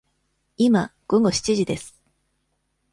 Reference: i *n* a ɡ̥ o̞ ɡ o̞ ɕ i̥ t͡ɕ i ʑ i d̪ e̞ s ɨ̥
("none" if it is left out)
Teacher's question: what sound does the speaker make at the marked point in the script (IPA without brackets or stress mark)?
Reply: m